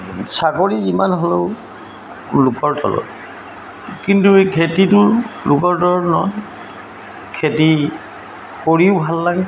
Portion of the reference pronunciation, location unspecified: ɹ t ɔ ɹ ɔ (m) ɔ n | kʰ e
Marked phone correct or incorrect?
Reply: incorrect